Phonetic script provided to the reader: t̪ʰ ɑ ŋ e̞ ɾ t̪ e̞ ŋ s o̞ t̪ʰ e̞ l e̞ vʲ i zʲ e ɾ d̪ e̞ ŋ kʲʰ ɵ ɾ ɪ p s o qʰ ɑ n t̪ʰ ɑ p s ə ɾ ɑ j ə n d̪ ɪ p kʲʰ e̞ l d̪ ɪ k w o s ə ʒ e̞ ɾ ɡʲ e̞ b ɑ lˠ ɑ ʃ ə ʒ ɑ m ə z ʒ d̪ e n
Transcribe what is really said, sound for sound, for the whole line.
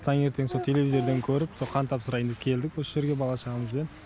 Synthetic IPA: t̪ʰ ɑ ŋ e̞ ɾ t̪ e̞ ŋ s o̞ t̪ʰ e̞ l e̞ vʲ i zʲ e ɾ d̪ e̞ ŋ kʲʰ ɵ ɾ ɪ p s o qʰ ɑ n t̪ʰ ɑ p s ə ɾ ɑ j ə n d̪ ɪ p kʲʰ e̞ l d̪ ɪ k w o s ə ʒ e̞ ɾ ɡʲ e̞ b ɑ lˠ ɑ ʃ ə ʁ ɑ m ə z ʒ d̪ e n

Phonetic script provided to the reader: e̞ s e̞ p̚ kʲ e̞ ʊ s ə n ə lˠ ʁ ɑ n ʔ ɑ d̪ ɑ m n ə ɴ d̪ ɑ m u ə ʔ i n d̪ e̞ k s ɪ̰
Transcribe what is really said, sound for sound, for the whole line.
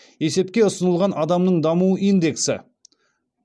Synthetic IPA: e̞ s e̞ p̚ kʲ e̞ ʊ s ə n ə lˠ ʁ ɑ n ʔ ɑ d̪ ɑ m n ə ɴ d̪ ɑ m u ə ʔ i n d̪ e̞ k s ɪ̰

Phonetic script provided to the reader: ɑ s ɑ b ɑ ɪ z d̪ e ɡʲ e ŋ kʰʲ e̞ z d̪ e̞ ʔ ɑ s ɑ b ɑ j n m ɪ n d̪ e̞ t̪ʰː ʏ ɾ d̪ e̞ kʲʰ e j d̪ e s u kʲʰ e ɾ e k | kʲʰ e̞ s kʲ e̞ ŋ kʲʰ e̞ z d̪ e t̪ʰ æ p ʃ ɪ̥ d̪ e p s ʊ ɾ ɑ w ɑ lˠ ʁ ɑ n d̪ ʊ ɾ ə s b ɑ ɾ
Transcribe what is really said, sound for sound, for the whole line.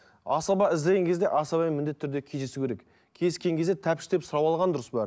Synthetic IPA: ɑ s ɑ b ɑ ɪ z d̪ e ɡʲ e ŋ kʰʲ e̞ z d̪ e̞ ʔ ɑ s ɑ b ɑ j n m ɪ n d̪ e̞ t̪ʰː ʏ ɾ d̪ e̞ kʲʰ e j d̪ e s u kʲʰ e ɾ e k | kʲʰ e̞ s kʲ e̞ ŋ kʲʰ e̞ z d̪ e t̪ʰ æ p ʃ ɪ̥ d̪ e p s ʊ ɾ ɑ w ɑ lˠ ʁ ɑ n d̪ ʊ ɾ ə s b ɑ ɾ

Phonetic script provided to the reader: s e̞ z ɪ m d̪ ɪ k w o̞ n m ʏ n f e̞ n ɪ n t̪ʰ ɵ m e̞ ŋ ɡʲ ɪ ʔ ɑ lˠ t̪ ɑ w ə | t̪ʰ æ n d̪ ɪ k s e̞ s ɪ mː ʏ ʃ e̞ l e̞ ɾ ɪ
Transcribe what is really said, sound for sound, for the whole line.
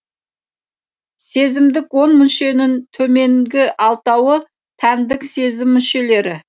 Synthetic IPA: s e̞ z ɪ m d̪ ɪ k w o̞ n m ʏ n ʃ e̞ n ɪ n t̪ʰ ɵ m e̞ ŋ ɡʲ ɪ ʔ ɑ lˠ t̪ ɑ w ə | t̪ʰ æ n d̪ ɪ k s e̞ z ɪ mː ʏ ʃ e̞ l e̞ ɾ ɪ

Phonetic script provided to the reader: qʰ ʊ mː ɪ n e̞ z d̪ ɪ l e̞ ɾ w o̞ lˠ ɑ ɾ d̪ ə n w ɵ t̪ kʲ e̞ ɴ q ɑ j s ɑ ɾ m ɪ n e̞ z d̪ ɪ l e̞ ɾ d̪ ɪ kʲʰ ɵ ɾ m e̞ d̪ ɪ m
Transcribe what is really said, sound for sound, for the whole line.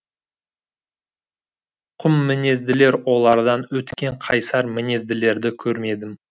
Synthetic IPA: qʰ ʊ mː ɪ n e̞ z d̪ ɪ l e̞ ɾ w o̞ lˠ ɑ ɾ d̪ ɑ n w ɵ t̪ kʲ e̞ ɴ qʰ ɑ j s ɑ ɾ m ɪ n e̞ z d̪ ɪ l e̞ ɾ d̪ ɪ kʲʰ ɵ ɾ m e̞ d̪ ɪ m

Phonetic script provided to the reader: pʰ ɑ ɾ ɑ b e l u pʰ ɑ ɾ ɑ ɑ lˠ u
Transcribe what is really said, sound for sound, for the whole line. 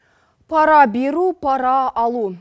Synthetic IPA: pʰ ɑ ɾ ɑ b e ɾ u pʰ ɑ ɾ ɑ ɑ lˠ u

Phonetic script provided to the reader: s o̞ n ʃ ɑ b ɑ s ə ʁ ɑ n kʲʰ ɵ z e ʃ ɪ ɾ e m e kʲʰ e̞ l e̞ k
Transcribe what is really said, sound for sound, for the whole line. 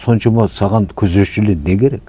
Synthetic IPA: s o̞ n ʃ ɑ m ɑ s ɑ ʁ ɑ n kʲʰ ɵ z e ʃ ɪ l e n e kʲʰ e̞ ɾ e̞ k

